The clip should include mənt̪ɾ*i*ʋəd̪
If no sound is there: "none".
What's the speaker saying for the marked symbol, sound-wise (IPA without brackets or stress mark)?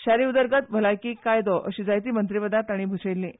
i